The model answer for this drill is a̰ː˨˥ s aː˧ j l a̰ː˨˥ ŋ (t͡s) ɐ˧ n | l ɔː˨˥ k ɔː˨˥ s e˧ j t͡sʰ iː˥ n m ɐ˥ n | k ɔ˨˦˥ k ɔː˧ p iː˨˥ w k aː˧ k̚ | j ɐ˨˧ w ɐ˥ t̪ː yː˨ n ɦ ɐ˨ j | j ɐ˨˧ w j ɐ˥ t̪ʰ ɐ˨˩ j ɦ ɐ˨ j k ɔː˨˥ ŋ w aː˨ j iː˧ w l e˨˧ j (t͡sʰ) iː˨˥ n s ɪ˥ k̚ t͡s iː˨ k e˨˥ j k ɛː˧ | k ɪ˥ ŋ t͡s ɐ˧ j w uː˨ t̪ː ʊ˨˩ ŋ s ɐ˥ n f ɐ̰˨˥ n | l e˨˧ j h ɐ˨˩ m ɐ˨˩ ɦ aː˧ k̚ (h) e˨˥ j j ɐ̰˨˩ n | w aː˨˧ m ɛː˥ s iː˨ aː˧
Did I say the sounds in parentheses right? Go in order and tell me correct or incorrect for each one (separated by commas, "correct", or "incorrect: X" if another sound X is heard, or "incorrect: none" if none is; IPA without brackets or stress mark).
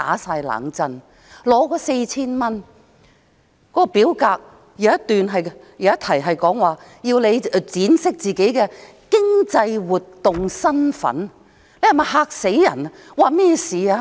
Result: correct, incorrect: t͡s, incorrect: s